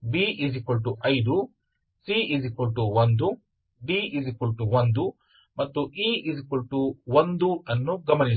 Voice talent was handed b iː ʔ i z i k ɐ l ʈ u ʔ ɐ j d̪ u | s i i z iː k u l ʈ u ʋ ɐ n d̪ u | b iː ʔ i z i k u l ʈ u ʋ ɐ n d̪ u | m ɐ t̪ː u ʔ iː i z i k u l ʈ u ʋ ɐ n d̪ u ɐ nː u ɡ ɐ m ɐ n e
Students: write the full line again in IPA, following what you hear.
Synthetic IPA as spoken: b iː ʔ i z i k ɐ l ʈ u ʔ ɐ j d̪ u | s i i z i k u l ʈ u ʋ ɐ n d̪ u | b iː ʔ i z i k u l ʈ u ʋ ɐ n d̪ u | m ɐ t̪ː u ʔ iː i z i k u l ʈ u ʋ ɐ n d̪ u ɐ nː u ɡ ɐ m ɐ n i